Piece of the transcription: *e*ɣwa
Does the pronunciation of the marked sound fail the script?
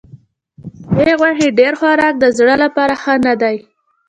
no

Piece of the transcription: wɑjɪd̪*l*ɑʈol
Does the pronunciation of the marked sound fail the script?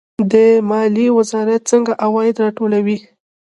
yes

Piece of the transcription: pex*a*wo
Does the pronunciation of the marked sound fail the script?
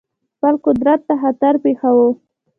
no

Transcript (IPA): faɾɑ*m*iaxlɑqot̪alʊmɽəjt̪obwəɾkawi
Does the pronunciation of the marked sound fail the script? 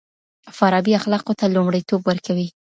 yes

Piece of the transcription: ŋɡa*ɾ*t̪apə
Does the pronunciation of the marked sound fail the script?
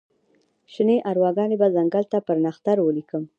yes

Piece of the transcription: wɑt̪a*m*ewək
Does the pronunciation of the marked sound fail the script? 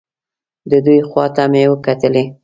no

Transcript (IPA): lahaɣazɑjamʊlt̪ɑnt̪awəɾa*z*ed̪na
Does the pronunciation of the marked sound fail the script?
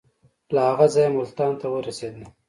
yes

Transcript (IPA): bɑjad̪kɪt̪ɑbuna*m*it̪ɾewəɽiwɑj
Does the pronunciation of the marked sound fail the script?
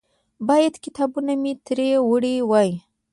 no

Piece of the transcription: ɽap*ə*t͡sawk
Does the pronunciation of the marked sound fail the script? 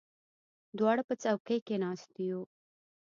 no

